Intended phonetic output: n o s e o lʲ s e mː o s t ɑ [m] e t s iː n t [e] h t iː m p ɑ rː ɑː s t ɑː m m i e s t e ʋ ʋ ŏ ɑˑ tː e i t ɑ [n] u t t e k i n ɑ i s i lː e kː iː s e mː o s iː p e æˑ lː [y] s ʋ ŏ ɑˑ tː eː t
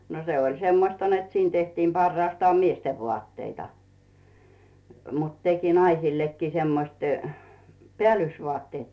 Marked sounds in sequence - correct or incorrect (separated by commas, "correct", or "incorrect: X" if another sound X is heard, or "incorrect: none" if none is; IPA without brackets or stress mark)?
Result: incorrect: n, correct, incorrect: m, correct